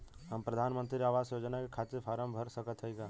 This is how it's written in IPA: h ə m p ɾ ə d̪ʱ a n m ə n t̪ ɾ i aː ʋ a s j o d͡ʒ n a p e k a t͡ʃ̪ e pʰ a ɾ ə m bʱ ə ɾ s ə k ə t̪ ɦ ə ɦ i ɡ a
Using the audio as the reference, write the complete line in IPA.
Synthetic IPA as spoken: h ə m p ɾ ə d̪ʱ a n m ə n t̪ ɾ i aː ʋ a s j o d͡ʒ n a k e kʰ a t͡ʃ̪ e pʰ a ɾ ə m bʱ ə ɾ s ə k ə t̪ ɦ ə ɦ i ɡ a